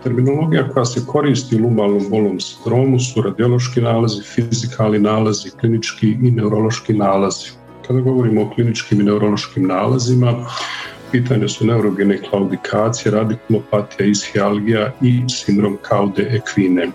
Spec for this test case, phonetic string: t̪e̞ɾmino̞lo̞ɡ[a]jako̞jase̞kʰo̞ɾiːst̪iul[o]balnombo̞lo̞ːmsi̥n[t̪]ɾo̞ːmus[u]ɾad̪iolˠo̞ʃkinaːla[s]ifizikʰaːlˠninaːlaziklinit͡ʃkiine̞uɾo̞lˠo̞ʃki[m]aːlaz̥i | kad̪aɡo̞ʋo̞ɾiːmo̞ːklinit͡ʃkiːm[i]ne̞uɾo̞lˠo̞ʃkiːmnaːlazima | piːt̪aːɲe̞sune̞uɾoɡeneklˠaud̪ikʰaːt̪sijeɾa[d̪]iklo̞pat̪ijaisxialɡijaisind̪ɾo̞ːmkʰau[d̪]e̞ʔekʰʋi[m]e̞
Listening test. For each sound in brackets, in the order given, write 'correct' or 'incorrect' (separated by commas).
incorrect, incorrect, incorrect, correct, incorrect, incorrect, correct, correct, correct, incorrect